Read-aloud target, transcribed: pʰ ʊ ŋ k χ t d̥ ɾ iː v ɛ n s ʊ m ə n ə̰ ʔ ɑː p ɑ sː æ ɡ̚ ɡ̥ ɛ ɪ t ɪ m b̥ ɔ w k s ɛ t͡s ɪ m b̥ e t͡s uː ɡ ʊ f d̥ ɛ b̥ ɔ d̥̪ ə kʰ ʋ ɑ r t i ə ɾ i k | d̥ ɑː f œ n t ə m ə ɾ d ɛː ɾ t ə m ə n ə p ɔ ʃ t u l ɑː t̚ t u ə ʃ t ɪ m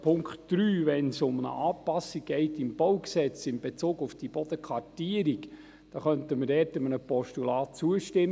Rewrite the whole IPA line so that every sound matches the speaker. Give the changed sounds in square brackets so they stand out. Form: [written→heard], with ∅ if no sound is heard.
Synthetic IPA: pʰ ʊ ŋ k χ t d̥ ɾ [iː→yː] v ɛ n s ʊ m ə n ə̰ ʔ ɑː p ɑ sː [æ→i] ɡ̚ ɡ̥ ɛ ɪ t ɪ m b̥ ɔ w k s ɛ t͡s ɪ m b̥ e t͡s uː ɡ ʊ f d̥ [ɛ→i] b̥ ɔ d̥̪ ə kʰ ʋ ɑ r t i ə ɾ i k | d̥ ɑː [f→χ] œ n t ə m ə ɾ d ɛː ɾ t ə m ə n ə p ɔ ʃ t u l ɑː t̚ [t→t͡s] u ə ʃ t ɪ m